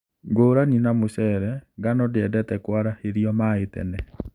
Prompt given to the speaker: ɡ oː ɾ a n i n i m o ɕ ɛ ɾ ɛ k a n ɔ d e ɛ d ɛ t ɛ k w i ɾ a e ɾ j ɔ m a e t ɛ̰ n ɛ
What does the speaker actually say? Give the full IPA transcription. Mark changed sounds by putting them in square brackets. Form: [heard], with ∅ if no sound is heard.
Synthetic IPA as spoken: ɡ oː ɾ a n i n [a] m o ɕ ɛ ɾ ɛ [ɡ] a n ɔ d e ɛ d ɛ t ɛ k w [a] ɾ a e ɾ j ɔ m a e t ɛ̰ n ɛ